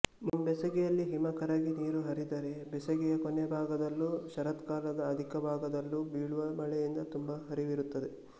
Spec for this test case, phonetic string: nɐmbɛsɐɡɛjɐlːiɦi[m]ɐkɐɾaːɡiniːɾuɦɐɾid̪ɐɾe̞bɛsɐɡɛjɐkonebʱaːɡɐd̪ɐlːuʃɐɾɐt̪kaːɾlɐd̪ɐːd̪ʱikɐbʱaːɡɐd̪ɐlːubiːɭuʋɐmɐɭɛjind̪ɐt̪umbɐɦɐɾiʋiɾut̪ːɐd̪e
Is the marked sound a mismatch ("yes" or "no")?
no